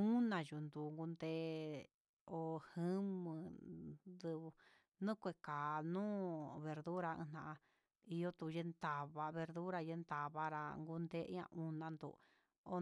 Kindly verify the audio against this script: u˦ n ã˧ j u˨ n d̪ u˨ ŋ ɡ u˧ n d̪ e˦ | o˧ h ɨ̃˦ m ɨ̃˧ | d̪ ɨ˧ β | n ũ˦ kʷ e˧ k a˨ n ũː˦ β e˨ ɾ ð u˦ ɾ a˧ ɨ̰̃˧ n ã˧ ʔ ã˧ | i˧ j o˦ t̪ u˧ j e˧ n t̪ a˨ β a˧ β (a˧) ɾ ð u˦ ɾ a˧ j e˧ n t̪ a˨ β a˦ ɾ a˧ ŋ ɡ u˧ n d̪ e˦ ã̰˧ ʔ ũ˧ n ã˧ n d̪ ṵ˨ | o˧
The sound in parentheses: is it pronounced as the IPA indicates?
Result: no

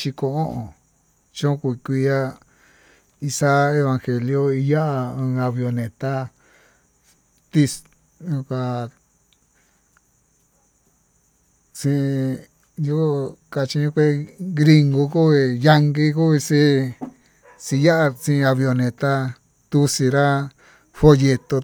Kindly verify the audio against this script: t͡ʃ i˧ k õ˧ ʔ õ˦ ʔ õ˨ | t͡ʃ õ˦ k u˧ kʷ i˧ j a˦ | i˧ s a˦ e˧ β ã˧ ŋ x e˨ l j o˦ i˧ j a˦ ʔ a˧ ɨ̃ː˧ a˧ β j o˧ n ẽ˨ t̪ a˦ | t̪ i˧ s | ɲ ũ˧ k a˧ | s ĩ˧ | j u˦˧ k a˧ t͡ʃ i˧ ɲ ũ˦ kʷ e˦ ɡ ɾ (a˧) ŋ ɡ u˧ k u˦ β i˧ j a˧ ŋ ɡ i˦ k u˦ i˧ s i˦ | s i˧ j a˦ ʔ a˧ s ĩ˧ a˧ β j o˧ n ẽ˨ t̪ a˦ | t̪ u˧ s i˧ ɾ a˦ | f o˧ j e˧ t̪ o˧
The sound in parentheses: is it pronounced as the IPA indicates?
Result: no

